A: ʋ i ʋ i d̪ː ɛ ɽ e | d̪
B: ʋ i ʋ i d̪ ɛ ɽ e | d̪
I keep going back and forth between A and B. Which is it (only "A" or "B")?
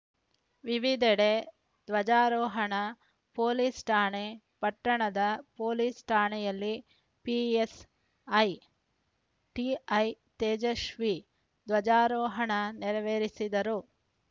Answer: B